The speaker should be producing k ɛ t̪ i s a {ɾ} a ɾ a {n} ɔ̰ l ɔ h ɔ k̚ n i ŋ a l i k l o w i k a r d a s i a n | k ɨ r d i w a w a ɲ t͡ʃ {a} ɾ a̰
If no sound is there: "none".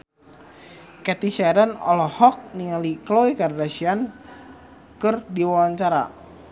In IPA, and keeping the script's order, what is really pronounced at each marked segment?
none, n, a

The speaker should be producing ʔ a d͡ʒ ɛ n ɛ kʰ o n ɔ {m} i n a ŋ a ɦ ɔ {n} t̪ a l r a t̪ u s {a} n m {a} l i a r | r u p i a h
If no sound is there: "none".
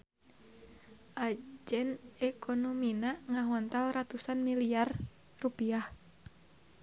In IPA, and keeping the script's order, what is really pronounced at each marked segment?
m, n, a, i

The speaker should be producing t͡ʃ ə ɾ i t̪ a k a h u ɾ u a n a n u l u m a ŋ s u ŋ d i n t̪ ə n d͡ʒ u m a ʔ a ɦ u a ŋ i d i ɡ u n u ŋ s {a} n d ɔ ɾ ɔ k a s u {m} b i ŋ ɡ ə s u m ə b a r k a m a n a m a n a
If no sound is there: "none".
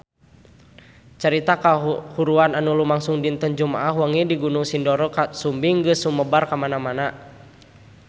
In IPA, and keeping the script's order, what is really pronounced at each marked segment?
i, m

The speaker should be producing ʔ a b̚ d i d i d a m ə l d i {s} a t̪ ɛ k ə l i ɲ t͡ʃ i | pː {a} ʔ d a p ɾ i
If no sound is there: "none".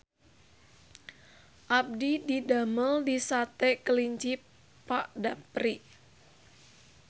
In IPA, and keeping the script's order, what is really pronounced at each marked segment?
s, a

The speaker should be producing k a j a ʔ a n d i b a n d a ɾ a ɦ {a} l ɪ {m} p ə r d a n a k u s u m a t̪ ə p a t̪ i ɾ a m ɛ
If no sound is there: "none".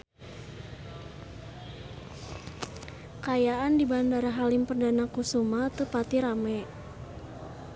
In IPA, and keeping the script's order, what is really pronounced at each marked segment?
a, m

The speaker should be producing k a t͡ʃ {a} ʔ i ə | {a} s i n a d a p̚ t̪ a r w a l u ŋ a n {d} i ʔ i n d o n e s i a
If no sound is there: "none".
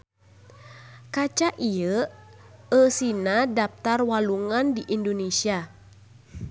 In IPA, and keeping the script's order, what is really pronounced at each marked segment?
a, ə, d

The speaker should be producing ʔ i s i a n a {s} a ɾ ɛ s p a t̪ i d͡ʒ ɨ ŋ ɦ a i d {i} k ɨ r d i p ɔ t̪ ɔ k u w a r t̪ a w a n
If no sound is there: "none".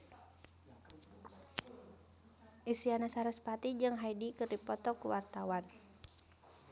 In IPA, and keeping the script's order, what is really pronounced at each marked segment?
s, i

